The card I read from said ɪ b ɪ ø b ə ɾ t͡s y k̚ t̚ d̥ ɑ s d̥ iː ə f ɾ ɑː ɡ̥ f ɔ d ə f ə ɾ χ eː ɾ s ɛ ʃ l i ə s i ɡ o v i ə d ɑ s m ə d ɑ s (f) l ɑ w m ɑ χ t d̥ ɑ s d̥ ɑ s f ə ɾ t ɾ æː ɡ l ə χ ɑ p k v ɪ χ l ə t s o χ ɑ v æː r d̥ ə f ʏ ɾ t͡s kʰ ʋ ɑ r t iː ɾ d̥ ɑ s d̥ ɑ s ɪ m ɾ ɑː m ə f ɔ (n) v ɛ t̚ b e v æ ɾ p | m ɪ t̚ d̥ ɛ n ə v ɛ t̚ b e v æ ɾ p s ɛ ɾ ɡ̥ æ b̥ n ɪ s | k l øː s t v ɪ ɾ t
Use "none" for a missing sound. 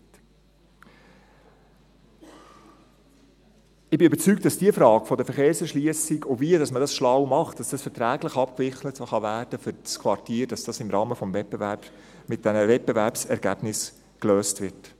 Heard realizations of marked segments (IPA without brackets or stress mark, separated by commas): ʃ, m